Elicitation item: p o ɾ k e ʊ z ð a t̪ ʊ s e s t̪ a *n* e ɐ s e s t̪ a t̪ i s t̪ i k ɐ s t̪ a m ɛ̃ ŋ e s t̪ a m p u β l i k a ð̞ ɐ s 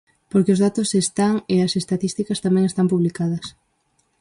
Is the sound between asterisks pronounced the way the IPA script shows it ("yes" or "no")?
no